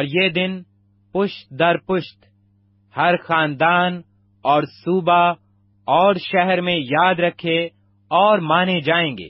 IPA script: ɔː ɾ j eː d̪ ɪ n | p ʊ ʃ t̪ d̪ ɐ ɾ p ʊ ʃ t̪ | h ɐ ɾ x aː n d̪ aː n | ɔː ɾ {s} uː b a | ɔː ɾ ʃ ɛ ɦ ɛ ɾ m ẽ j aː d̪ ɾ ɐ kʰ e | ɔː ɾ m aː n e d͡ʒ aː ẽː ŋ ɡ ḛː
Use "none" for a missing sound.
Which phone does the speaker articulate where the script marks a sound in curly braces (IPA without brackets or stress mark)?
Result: s